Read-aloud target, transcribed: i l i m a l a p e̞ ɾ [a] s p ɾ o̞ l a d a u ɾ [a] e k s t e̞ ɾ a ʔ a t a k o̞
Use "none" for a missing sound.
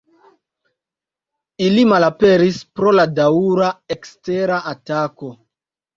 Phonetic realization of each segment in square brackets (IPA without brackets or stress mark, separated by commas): i, a